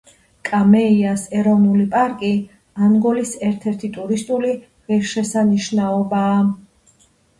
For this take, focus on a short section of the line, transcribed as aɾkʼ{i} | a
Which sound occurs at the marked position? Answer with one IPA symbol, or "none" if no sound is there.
i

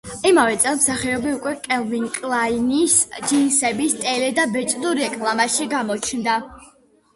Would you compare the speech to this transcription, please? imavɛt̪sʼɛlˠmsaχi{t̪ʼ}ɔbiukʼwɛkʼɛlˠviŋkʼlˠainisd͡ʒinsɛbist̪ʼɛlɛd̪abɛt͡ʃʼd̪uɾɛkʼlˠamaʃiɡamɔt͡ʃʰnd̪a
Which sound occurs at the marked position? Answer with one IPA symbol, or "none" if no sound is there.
none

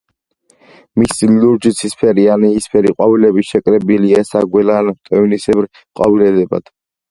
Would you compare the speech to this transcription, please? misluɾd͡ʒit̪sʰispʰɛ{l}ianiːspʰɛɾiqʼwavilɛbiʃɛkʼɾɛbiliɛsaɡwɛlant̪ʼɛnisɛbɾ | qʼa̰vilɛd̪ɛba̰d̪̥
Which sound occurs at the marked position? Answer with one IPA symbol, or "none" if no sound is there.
ɾ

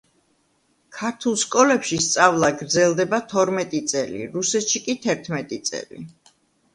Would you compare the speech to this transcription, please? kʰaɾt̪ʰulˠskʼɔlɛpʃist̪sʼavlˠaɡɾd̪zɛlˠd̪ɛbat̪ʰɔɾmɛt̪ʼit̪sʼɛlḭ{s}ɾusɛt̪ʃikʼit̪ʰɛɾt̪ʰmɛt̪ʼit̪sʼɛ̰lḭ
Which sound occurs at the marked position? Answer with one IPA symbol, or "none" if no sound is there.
none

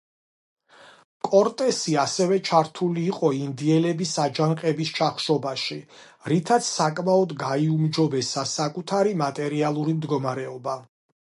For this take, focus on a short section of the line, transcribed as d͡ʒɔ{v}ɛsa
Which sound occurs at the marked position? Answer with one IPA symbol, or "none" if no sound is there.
b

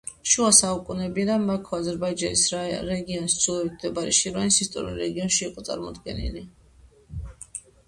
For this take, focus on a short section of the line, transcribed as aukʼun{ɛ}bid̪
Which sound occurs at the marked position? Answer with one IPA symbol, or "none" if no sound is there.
ɛ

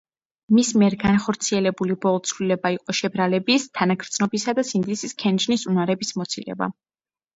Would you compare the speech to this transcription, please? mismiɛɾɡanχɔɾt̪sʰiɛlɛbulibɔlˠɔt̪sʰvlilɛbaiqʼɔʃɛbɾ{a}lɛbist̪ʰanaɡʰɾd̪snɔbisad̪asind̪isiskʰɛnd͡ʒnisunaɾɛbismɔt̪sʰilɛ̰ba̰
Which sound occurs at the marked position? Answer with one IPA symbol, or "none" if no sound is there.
a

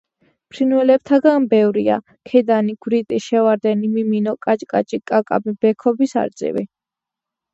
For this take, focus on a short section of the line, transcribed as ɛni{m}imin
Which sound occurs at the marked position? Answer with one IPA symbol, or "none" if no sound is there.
m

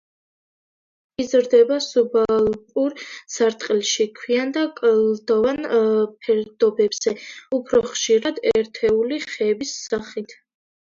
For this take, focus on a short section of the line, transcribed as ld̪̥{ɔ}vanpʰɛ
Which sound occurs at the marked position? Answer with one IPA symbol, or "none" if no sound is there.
ɔ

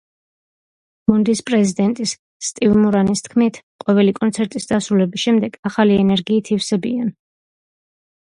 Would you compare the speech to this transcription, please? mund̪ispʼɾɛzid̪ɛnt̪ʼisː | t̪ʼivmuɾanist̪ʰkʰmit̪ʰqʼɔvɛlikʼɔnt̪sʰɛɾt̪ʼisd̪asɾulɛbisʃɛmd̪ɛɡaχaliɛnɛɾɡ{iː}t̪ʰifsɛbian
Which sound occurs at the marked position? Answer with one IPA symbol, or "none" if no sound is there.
iː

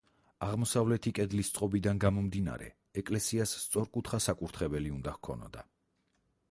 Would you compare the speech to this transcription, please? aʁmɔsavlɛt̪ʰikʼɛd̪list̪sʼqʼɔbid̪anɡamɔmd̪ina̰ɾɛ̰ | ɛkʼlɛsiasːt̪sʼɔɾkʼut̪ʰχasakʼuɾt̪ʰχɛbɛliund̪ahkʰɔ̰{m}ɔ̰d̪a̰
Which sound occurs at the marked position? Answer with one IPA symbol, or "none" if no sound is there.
n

